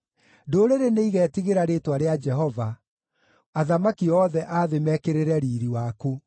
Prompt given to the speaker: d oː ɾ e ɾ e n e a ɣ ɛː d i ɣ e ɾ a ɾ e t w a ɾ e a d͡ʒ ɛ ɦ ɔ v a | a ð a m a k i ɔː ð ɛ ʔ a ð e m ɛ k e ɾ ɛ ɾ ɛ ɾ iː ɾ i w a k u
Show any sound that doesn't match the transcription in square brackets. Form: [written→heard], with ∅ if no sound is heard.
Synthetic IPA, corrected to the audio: d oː ɾ e ɾ e n e [a→i] ɣ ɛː [d→t] i ɣ e ɾ a ɾ e t w a ɾ e a d͡ʒ ɛ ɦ ɔ v a | a ð a m a k i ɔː ð ɛ ʔ a ð e m ɛ k e ɾ [ɛ→e] ɾ ɛ ɾ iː ɾ i w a k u